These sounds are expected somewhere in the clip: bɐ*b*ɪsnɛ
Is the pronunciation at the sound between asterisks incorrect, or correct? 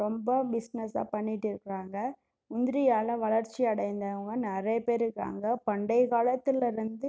correct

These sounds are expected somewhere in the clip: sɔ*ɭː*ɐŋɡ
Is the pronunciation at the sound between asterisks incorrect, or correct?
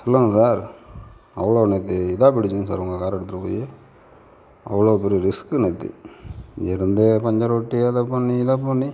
incorrect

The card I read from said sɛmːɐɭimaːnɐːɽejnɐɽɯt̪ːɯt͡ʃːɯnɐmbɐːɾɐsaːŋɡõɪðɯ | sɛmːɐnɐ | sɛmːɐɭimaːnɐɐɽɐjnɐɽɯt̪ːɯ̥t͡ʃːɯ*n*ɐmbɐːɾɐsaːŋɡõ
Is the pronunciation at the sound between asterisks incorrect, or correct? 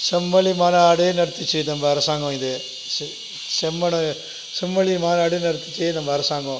correct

